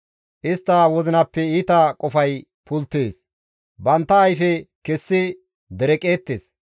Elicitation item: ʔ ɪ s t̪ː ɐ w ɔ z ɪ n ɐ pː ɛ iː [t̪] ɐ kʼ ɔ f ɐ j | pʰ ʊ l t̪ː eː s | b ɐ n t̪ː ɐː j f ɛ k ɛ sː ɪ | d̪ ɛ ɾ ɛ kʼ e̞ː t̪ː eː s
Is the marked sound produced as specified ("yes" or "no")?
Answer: yes